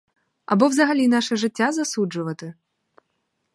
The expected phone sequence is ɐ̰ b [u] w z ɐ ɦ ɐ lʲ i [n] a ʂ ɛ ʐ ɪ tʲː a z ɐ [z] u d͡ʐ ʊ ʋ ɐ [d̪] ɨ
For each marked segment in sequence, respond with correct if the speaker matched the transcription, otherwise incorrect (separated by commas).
incorrect, correct, incorrect, incorrect